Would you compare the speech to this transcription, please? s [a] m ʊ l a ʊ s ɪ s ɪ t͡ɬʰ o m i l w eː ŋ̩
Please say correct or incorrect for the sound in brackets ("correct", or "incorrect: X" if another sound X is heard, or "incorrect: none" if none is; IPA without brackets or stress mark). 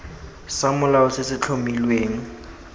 correct